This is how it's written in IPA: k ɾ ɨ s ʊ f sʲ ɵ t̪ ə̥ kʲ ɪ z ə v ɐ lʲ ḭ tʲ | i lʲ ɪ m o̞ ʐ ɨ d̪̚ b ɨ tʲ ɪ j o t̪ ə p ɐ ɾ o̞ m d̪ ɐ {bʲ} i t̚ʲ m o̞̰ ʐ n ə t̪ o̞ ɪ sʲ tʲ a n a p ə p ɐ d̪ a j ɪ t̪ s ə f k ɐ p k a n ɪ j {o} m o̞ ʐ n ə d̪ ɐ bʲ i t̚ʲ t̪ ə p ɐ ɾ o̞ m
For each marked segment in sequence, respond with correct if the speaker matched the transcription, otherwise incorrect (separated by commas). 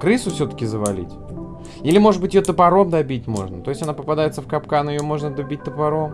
correct, correct